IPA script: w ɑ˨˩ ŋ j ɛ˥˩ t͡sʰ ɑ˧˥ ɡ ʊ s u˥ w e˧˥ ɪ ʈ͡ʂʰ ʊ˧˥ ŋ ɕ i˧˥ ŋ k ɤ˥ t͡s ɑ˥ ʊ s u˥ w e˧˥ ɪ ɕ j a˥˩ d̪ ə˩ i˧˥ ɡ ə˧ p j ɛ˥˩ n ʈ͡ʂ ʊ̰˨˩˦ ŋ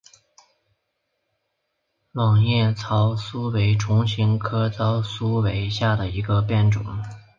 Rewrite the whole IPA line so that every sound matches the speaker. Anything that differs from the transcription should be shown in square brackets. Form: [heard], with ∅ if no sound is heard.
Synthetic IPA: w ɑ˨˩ ŋ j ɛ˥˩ t͡sʰ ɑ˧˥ [∅] ʊ s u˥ w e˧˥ ɪ ʈ͡ʂʰ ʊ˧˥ ŋ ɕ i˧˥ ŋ [kʰ] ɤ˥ t͡s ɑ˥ ʊ s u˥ w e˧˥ ɪ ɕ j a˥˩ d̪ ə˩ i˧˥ ɡ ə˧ p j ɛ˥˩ n ʈ͡ʂ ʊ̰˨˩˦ ŋ